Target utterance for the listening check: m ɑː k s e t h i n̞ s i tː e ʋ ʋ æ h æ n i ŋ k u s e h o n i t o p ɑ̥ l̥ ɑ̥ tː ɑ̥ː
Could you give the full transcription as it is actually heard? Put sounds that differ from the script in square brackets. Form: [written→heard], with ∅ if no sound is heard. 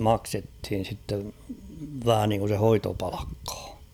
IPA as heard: m [ɑː→ɑ] k s e t h i n̞ s i tː e ʋ ʋ æ h æ n i ŋ k u s e h o [n→∅] i t o p ɑ̥ l̥ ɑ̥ [tː→kː] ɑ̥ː